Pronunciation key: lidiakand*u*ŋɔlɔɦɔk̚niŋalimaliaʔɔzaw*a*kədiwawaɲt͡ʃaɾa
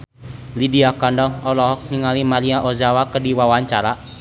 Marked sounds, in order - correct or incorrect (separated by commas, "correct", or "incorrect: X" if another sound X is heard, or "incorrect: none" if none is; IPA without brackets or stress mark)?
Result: incorrect: ɔ, correct